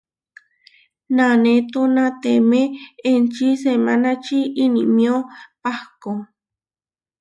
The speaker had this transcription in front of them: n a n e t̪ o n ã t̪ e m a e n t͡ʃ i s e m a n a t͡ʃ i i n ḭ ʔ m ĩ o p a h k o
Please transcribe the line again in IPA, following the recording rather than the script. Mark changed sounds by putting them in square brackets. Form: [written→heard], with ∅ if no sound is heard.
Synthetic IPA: n a n e t̪ o n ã t̪ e m [a→e] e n t͡ʃ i s e m a n a t͡ʃ i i n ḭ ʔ m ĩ o p a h k o